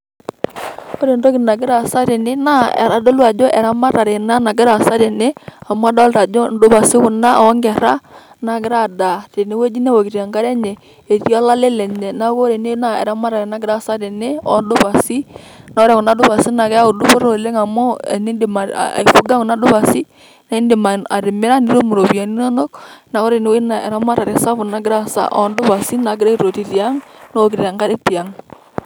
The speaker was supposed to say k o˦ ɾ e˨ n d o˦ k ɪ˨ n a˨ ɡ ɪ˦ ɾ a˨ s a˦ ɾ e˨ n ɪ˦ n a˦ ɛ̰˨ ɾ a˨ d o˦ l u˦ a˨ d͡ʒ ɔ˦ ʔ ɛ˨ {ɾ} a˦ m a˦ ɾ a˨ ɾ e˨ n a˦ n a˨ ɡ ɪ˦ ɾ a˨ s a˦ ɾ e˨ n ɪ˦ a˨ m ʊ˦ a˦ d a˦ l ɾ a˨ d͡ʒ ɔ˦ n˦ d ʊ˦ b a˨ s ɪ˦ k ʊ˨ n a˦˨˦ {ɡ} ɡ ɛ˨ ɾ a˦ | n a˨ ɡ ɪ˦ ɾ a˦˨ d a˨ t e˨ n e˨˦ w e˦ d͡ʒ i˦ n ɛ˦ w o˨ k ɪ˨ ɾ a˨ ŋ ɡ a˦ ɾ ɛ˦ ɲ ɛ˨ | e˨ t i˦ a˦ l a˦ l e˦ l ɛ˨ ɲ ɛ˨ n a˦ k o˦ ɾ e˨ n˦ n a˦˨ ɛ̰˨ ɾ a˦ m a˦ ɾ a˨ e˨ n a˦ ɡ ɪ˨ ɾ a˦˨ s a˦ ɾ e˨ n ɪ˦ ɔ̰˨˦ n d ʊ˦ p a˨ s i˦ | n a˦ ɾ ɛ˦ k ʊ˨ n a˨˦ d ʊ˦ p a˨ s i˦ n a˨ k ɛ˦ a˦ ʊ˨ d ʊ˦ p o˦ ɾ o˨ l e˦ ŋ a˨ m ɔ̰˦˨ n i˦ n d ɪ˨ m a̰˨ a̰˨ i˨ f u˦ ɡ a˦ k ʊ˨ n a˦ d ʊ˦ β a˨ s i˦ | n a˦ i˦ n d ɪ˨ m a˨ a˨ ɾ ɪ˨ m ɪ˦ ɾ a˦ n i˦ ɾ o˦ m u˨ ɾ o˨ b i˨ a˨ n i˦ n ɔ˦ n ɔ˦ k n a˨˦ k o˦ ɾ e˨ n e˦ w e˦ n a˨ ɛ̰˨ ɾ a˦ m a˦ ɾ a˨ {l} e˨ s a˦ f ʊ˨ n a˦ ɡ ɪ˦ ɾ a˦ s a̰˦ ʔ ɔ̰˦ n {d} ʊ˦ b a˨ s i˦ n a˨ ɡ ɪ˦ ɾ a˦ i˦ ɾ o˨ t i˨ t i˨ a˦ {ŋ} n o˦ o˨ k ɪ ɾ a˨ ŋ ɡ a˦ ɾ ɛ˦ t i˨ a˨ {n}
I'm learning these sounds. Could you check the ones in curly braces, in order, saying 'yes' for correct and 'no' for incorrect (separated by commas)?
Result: yes, no, no, yes, yes, no